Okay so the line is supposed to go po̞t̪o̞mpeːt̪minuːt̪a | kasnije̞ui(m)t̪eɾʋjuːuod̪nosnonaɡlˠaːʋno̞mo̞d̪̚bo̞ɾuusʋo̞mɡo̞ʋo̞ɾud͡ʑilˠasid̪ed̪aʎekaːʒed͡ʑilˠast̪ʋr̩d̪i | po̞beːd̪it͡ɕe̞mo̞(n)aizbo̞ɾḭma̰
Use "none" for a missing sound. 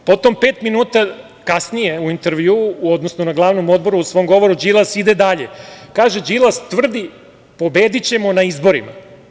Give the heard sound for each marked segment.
n, n

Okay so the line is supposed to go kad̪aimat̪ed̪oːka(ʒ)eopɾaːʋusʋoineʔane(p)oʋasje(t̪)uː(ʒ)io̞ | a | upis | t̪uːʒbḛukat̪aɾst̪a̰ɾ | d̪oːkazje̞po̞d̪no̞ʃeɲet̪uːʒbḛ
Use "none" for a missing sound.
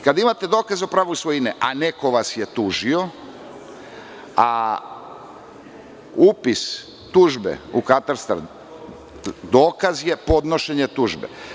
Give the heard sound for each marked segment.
z, k, t̪, ʒ

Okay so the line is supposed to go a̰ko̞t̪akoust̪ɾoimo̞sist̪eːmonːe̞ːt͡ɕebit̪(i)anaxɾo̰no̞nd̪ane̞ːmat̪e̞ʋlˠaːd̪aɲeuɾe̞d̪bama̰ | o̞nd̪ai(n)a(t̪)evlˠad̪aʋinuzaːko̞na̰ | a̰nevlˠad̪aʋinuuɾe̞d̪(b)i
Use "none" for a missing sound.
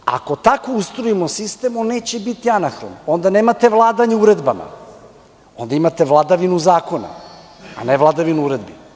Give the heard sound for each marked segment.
i, m, t̪, b

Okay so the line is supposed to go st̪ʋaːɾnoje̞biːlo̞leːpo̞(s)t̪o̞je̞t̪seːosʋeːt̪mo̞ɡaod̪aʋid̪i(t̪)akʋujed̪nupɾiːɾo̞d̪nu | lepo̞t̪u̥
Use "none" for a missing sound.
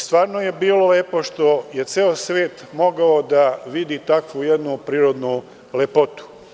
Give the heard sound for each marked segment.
ʃ, t̪

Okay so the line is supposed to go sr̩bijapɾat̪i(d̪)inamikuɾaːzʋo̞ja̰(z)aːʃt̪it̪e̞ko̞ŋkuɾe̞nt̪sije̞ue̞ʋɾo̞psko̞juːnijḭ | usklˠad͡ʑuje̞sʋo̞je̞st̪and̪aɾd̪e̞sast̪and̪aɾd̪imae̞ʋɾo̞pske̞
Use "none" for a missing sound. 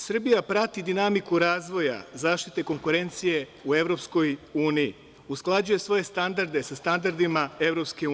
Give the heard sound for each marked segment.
d̪, z

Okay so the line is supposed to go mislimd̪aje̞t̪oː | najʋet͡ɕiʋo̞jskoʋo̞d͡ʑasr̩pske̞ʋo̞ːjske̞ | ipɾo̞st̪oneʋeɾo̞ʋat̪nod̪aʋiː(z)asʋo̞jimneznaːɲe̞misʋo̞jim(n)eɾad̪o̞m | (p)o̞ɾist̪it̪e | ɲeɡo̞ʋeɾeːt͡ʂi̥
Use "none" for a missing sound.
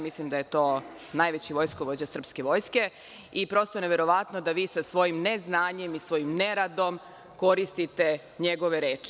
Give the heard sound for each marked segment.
s, n, k

